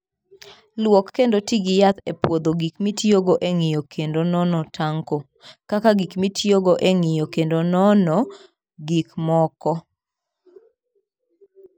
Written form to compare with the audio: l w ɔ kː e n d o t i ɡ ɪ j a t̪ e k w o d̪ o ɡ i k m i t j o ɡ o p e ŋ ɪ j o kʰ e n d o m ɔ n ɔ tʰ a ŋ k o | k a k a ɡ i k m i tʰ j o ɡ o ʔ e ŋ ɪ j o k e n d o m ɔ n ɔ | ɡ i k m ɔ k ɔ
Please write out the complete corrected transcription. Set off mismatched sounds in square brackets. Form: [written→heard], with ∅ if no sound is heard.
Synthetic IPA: l w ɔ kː e n d o t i ɡ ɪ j a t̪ e [k→p] w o d̪ o ɡ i k m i t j o ɡ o [p→ʔ] e ŋ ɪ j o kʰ e n d o [m→n] ɔ n ɔ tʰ a ŋ k o | k a k a ɡ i k m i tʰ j o ɡ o ʔ e ŋ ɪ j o k e n d o [m→n] ɔ n ɔ | ɡ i k m ɔ k ɔ